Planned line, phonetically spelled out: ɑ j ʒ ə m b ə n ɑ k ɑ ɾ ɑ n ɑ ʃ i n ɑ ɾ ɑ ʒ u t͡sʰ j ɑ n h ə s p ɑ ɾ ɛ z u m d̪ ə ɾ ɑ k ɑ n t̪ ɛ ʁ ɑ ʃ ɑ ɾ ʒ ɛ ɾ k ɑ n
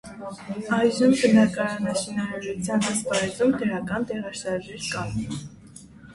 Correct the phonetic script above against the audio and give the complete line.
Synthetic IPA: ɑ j ʒ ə m b ə n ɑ k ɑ ɾ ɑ n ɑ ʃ i n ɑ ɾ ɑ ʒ u t͡sʰ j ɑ n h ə s p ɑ ɾ ɛ z u m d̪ ə ɾ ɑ k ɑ n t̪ ɛ ʁ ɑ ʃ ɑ ɾ ʒ ɛ ɾ k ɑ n